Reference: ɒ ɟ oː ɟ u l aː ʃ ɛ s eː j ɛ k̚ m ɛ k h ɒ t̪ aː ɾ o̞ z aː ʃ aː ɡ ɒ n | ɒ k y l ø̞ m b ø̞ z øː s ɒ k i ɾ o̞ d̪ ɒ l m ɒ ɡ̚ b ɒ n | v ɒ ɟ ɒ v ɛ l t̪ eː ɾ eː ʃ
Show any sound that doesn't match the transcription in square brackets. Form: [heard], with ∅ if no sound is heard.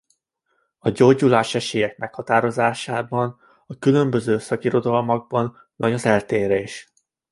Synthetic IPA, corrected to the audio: ɒ ɟ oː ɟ u l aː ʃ ɛ [ʃ] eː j ɛ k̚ m ɛ k h ɒ t̪ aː ɾ o̞ z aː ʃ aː [b] ɒ n | ɒ k y l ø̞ m b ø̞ z øː s ɒ k i ɾ o̞ d̪ ɒ l m ɒ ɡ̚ b ɒ n | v ɒ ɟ ɒ [z] ɛ l t̪ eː ɾ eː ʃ